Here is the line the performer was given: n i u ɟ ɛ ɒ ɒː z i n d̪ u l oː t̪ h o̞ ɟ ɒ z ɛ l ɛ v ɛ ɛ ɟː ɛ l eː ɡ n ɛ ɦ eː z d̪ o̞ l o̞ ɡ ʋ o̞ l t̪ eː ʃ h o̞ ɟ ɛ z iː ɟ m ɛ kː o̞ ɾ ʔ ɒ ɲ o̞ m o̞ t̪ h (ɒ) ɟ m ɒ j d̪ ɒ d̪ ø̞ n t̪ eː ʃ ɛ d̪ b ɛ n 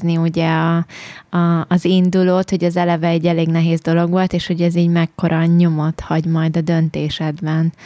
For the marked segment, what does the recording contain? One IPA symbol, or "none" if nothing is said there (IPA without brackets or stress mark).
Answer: ɒ